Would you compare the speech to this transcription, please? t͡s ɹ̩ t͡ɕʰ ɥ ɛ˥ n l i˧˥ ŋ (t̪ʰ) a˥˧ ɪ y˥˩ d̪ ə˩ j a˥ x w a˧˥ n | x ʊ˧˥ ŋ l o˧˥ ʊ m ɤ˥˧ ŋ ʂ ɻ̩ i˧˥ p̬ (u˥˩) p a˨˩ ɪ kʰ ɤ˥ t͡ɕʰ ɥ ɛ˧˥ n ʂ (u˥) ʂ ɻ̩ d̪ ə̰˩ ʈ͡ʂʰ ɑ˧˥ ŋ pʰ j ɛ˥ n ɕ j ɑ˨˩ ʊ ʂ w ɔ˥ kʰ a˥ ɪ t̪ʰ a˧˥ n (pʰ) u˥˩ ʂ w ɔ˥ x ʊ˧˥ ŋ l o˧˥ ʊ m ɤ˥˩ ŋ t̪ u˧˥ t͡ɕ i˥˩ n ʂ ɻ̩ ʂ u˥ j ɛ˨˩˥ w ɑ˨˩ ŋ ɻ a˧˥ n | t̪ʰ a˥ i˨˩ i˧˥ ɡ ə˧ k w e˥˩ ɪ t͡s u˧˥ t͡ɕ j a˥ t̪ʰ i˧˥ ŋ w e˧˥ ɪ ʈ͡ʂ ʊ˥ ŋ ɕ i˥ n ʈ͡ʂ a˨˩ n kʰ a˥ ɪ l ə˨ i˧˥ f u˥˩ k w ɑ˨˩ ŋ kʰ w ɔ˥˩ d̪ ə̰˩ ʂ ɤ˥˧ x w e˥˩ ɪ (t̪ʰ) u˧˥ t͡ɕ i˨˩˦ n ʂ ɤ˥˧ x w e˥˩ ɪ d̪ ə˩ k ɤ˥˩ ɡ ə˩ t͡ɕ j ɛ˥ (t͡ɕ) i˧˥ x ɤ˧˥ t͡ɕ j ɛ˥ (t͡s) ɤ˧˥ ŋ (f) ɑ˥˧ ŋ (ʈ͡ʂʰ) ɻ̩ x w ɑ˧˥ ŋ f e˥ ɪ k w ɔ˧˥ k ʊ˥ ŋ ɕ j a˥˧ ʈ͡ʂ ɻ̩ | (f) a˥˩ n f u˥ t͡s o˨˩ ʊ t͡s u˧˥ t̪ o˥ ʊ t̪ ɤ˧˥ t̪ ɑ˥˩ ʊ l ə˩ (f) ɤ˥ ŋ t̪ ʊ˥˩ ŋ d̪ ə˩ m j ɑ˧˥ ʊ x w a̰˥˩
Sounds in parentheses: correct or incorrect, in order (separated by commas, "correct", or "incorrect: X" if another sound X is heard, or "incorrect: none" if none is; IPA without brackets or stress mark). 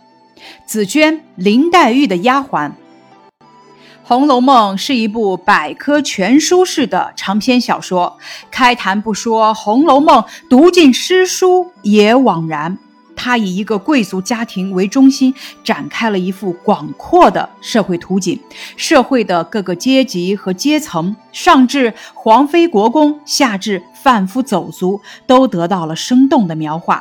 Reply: incorrect: t̪, correct, correct, incorrect: p, correct, correct, incorrect: t͡sʰ, incorrect: ʂ, incorrect: ʈ͡ʂ, correct, incorrect: ʂ